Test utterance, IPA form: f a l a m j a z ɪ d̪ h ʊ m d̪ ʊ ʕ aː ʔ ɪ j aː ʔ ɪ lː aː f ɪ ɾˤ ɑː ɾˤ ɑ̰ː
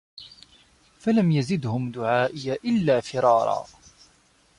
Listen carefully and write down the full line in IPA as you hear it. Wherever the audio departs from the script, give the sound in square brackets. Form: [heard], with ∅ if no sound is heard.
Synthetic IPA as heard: f a l a m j a z ɪ d̪ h ʊ m d̪ ʊ ʕ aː ʔ ɪ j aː ʔ ɪ lː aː f ɪ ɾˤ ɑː ɾˤ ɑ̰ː

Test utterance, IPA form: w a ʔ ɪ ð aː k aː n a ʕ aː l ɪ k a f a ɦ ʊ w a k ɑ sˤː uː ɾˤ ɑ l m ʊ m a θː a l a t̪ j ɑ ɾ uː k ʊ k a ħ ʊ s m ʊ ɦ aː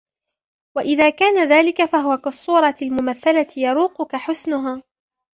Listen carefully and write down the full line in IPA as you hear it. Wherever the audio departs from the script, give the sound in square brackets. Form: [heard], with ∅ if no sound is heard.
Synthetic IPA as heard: w a ʔ ɪ ð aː k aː n a [ð] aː l ɪ k a f a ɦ ʊ w a k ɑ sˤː uː ɾˤ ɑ l m ʊ m a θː a l a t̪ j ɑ ɾ uː [q] ʊ k a ħ ʊ s [n] ʊ ɦ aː

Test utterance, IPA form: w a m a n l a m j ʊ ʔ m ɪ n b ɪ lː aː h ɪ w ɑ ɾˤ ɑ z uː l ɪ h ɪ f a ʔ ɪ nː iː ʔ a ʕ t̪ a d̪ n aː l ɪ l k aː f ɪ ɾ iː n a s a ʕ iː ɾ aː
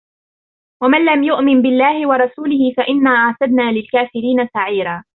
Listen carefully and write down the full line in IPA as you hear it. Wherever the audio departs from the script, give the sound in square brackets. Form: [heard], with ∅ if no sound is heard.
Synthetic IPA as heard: w a m a n l a m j ʊ ʔ m ɪ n b ɪ lː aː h ɪ w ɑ ɾˤ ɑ [s] uː l ɪ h ɪ f a ʔ ɪ nː [aː] ʔ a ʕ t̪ a d̪ n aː l ɪ l k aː f ɪ ɾ iː n a s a ʕ iː ɾ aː

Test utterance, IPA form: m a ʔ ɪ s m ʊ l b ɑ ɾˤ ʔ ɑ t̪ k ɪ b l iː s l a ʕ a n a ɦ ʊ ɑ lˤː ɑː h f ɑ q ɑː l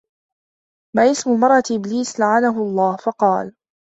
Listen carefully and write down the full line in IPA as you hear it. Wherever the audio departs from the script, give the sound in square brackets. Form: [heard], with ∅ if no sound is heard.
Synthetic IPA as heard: m a ʔ ɪ s m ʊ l [m] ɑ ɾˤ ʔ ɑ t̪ [ʔ] ɪ b l iː s l a ʕ a n a ɦ ʊ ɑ lˤː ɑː h f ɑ q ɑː l

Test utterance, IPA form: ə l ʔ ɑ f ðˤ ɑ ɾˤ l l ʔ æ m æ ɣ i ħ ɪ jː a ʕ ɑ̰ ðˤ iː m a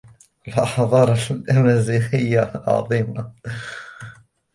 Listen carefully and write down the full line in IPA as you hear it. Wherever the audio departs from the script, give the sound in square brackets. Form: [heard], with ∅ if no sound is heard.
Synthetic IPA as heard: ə l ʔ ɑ [ħ] ðˤ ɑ ɾˤ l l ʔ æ m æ [z] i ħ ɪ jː a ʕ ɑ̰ ðˤ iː m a

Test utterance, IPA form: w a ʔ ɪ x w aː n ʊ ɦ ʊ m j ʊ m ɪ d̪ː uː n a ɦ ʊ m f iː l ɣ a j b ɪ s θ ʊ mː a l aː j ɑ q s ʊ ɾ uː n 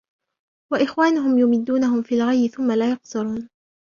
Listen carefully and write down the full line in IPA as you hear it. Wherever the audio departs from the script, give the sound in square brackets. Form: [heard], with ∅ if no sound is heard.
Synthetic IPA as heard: w a ʔ ɪ x w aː n ʊ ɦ ʊ m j ʊ m ɪ d̪ː uː n a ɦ ʊ m f iː l ɣ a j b ɪ [∅] θ ʊ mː a l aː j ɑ q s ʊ ɾ uː n

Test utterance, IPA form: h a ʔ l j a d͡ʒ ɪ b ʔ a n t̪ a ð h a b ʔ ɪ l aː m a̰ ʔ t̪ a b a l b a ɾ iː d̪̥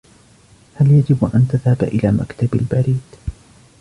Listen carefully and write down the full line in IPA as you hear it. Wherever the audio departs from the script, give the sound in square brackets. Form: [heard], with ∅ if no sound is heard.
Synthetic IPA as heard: h a [∅] l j a d͡ʒ ɪ b ʔ a n t̪ a ð h a b ʔ ɪ l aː m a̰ [k] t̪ a b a l b a ɾ iː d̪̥

